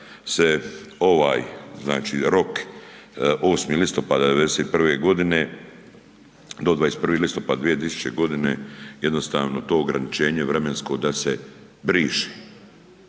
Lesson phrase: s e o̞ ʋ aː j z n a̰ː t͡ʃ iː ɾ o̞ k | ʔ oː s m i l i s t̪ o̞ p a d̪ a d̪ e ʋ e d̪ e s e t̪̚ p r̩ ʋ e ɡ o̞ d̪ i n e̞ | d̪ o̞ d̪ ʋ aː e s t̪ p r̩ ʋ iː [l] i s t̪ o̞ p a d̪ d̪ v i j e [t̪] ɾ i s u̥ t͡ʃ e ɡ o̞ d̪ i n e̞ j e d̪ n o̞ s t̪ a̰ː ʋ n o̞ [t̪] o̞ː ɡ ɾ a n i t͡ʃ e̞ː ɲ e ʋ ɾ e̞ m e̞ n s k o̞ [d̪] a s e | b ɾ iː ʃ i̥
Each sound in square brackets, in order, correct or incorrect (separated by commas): correct, correct, correct, correct